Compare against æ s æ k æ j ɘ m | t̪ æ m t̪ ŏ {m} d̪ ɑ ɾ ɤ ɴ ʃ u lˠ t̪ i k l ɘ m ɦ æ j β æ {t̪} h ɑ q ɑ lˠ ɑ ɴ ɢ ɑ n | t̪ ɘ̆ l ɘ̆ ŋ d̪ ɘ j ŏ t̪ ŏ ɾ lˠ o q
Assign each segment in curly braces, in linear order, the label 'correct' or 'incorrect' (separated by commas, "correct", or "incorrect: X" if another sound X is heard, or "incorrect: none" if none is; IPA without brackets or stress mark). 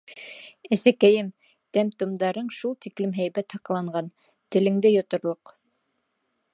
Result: correct, correct